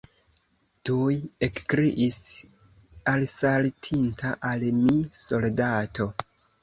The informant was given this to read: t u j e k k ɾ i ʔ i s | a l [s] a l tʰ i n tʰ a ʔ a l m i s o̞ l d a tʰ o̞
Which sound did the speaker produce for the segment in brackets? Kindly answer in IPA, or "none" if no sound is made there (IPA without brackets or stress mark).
s